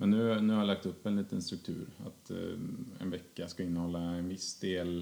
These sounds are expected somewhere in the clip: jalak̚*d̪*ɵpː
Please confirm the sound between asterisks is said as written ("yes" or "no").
no